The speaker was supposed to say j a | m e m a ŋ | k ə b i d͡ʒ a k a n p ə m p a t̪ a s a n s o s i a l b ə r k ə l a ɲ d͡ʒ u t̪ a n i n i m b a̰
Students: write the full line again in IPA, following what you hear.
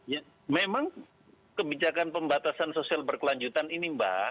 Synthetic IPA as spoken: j a | m e m a ŋ | k ə b i d͡ʒ a k a n p ə m b a t̪ a s a n s o s i a l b ə r k ə l a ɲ d͡ʒ u t̪ a n i n i m b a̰